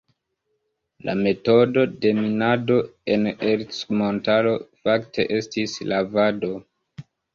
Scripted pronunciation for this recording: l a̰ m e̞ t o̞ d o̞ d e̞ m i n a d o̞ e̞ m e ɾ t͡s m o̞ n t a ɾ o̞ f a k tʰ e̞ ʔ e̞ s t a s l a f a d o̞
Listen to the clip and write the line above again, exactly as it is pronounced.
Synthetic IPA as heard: l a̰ m e̞ t o̞ d o̞ d e̞ m i n a d o̞ e̞ n e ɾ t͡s m o̞ n t a l o̞ f a k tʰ e̞ ʔ e̞ s t i s l a v a d o̞

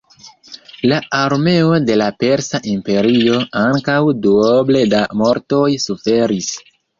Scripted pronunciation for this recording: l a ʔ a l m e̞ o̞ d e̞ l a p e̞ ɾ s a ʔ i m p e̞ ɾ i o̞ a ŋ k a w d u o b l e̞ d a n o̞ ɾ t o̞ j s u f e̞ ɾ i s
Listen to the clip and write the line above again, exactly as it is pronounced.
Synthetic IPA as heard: l a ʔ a ɾ m e̞ o̞ d e̞ l a p e̞ ɾ s a ʔ i m p e̞ ɾ i o̞ a ŋ k a w d u o b l e̞ d a m o̞ ɾ t o̞ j s u f e̞ ɾ i s

